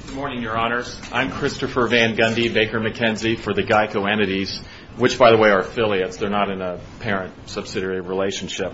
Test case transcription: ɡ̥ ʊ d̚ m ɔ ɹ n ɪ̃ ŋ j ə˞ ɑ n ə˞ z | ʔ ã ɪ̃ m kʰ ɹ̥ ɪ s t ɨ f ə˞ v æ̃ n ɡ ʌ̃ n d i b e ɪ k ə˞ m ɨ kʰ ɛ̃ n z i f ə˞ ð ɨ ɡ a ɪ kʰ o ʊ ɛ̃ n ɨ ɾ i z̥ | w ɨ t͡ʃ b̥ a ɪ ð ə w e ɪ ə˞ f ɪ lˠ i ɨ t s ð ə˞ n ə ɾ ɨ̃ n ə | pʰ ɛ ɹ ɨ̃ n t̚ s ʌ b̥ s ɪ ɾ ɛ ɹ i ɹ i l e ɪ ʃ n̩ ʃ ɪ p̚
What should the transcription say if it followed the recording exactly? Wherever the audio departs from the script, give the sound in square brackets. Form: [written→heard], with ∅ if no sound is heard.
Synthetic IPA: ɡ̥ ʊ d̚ m ɔ ɹ n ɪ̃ ŋ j ə˞ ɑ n ə˞ z | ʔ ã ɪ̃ m kʰ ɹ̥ ɪ s t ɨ f ə˞ v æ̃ n ɡ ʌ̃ n d i b e ɪ k ə˞ m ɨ kʰ ɛ̃ n z i f ə˞ ð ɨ ɡ a ɪ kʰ o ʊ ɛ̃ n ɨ ɾ i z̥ | w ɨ t͡ʃ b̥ a ɪ ð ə w e ɪ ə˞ f ɪ lˠ i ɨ t s ð ə˞ n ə ɾ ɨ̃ n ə | pʰ ɛ ɹ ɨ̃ n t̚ s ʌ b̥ s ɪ ɾ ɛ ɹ i ɹ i l e ɪ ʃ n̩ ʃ ɪ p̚